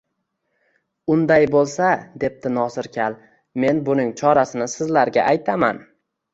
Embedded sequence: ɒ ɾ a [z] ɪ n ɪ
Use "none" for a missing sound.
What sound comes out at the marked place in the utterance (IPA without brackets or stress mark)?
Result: s